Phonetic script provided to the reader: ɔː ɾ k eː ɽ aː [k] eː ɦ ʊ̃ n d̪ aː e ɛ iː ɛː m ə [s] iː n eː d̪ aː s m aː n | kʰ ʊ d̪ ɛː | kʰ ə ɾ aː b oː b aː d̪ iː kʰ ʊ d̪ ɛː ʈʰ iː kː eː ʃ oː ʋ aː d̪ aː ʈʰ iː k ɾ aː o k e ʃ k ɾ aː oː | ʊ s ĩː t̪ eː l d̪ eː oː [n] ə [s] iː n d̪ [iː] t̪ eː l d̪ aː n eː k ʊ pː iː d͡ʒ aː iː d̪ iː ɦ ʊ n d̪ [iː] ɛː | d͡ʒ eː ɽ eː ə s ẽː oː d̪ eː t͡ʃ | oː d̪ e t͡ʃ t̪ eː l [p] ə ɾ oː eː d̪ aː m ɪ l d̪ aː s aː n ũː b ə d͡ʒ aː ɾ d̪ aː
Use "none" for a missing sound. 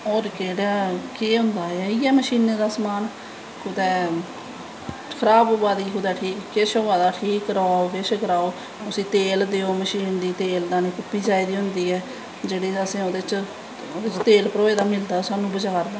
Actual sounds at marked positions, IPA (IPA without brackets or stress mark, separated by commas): k, ʃ, m, ʃ, iː, iː, p